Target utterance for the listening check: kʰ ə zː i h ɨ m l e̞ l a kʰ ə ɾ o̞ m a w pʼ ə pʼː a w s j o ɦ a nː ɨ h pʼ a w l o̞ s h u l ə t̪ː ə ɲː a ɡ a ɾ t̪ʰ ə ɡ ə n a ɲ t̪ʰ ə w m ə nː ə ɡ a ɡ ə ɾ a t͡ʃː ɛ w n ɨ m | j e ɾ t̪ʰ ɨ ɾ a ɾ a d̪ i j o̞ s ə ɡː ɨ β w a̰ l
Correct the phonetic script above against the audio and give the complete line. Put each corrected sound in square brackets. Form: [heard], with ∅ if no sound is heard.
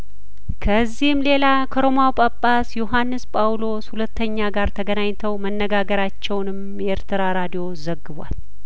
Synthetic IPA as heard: kʰ ə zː i h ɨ m l e̞ l a kʰ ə ɾ o̞ m a w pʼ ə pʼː a [∅] s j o ɦ a nː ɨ [s] pʼ a w l o̞ s h u l ə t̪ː ə ɲː a ɡ a ɾ t̪ʰ ə ɡ ə n a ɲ t̪ʰ ə w m ə nː ə ɡ a ɡ ə ɾ a t͡ʃː ɛ w n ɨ m | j e ɾ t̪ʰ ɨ ɾ a ɾ a d̪ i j o̞ [z] ə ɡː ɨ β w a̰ l

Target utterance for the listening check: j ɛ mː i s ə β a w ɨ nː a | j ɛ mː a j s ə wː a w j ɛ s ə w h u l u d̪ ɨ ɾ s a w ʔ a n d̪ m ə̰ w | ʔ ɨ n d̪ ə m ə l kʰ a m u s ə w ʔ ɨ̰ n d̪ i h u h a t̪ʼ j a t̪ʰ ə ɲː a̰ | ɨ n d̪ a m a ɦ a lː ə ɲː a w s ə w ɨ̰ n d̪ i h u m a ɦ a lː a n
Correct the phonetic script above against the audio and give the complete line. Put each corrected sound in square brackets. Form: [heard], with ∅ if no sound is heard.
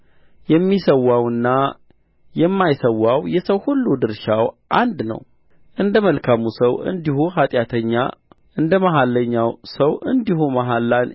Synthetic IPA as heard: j ɛ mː i s ə [w] a w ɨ nː a | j ɛ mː a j s ə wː a w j ɛ s ə w h u [lː] u d̪ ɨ ɾ [ʃ] a w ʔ a n d̪ [n] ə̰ w | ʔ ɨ n d̪ ə m ə l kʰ a m u s ə w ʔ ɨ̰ n d̪ i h u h a t̪ʼ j a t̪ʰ ə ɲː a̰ | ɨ n d̪ [ə] m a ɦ a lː ə ɲː a w s ə w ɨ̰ n d̪ i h u m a ɦ a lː a n

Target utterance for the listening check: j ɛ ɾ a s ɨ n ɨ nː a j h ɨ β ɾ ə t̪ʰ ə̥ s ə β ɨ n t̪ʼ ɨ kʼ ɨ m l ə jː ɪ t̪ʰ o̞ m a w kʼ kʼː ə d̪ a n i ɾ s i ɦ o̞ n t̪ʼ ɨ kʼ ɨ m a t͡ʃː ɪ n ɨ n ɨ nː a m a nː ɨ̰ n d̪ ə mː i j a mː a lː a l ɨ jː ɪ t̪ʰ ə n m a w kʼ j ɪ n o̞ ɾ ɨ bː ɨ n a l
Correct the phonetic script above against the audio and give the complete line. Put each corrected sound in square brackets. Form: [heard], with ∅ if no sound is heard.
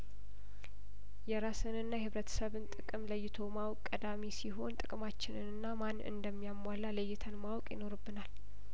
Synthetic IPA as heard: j ɛ ɾ a s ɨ n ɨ nː a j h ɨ β ɾ ə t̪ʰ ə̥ s ə β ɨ n t̪ʼ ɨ kʼ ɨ m l ə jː ɪ t̪ʰ o̞ m a w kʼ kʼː ə d̪ a [m] i [∅] s i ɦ o̞ n t̪ʼ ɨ kʼ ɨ m a t͡ʃː ɪ n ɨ n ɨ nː a m a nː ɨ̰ n d̪ ə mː i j a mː a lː a l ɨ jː ɪ t̪ʰ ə n m a w kʼ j ɪ n o̞ ɾ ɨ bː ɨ n a l

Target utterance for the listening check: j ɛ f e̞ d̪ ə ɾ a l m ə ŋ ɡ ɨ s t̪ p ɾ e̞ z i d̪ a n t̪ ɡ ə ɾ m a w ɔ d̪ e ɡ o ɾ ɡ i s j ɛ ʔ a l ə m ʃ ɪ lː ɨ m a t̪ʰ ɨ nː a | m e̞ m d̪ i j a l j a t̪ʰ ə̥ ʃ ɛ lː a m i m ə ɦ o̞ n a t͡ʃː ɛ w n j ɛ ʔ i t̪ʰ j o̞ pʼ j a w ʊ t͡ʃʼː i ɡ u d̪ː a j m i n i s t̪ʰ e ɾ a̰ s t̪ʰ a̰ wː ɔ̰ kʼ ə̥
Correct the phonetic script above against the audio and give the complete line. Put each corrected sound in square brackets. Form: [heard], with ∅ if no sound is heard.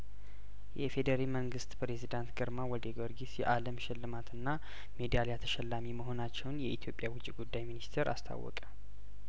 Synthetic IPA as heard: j ɛ f e̞ d̪ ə ɾ a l m ə ŋ ɡ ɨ s t̪ p ɾ e̞ z i d̪ a n t̪ ɡ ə ɾ m a w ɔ d̪ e ɡ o ɾ ɡ i s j ɛ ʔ a l ə m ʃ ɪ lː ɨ m a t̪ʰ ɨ nː a | m e̞ [∅] d̪ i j a l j a t̪ʰ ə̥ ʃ ɛ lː a m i m ə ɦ o̞ n a t͡ʃː ɛ w n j ɛ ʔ i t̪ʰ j o̞ pʼ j a w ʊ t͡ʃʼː i ɡ u d̪ː a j m i n i s t̪ʰ e ɾ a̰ s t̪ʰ a̰ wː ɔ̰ kʼ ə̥

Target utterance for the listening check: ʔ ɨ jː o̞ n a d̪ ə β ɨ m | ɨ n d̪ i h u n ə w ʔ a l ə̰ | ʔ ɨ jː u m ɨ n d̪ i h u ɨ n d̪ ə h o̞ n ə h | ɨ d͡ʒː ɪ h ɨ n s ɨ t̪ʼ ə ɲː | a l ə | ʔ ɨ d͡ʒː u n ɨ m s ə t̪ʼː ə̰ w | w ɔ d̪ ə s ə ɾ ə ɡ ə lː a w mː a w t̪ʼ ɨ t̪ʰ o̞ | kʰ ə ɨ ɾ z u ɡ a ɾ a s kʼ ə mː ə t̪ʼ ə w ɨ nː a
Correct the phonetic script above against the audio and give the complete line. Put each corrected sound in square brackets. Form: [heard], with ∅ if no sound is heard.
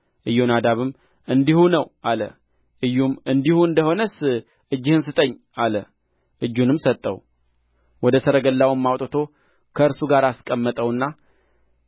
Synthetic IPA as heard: ʔ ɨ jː o̞ n a d̪ [a] β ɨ m | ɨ n d̪ i h u n ə w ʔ a l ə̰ | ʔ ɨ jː u m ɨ n d̪ i h u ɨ n d̪ ə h o̞ n ə [s] | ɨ d͡ʒː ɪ h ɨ n s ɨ t̪ʼ ə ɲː | a l ə | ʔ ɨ d͡ʒː u n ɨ m s ə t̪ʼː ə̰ w | w ɔ d̪ ə s ə ɾ ə ɡ ə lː a w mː a w t̪ʼ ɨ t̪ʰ o̞ | kʰ ə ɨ ɾ [s] u ɡ a ɾ a s kʼ ə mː ə t̪ʼ ə w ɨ nː a

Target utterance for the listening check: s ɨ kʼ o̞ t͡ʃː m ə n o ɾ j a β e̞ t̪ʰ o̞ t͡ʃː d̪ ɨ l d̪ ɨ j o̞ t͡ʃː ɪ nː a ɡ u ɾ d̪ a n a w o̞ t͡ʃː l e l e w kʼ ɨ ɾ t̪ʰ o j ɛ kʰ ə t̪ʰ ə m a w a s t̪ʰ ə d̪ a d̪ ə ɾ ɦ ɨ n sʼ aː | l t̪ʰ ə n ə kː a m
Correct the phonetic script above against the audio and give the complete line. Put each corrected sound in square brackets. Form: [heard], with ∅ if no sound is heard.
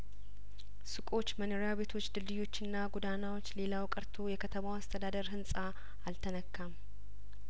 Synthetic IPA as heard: s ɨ kʼ o̞ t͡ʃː m ə n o ɾ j a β e̞ t̪ʰ o̞ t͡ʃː d̪ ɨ l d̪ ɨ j o̞ t͡ʃː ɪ nː a ɡ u [∅] d̪ a n a w o̞ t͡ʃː l e l [a] w kʼ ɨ ɾ t̪ʰ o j ɛ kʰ ə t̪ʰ ə m a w a s t̪ʰ ə d̪ a d̪ ə ɾ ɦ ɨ n sʼ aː | l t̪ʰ ə n ə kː a m

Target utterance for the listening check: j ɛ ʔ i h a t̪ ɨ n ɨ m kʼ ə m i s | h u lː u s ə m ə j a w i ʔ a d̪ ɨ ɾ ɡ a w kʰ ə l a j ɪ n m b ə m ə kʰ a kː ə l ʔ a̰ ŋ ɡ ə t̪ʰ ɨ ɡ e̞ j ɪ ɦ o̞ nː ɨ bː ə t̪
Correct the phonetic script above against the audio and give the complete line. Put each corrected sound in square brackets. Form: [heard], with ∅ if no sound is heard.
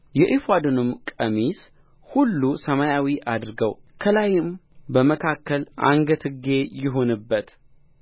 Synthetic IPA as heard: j ɛ ʔ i [f] a [d̪] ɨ n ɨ m kʼ ə m i s | h u lː u s ə m [a] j a w i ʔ a d̪ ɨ ɾ ɡ [ə] w kʰ ə l a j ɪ [∅] m b ə m ə kʰ a kː ə l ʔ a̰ ŋ ɡ ə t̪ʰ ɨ ɡ e̞ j ɪ ɦ o̞ [n] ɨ bː ə t̪

